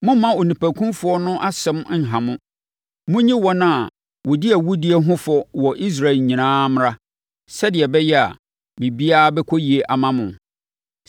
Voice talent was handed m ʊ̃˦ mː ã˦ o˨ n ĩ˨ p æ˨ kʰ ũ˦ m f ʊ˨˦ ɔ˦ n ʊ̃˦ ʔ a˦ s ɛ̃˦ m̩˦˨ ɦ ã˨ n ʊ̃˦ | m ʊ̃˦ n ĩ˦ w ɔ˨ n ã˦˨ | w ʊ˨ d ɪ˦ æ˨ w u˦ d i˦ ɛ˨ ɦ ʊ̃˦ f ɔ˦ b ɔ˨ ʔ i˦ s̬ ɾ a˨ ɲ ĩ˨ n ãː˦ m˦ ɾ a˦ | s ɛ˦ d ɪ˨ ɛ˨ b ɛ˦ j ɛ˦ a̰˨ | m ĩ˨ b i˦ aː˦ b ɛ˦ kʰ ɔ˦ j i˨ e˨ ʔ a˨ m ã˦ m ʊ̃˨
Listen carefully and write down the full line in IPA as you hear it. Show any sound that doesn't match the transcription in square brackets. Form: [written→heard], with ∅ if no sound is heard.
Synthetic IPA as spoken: m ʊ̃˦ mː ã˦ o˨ n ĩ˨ p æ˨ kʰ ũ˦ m f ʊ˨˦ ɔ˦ n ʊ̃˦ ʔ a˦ s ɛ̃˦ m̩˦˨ ɦ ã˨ [n→m] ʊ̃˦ | m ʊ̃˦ [n→ɲ] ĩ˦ w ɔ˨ n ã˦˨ | w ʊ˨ d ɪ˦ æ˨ w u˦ d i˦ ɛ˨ ɦ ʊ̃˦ f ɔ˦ [b→w] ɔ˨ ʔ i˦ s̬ ɾ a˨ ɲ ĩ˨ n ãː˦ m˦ ɾ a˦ | s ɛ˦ d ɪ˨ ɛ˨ b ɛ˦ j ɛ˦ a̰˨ | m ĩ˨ b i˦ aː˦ b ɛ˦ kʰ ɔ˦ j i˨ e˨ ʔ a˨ m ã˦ m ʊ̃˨